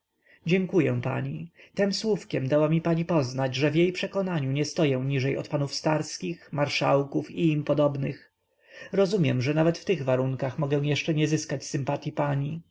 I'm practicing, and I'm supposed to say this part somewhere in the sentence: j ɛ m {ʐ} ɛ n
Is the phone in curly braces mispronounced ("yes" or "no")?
no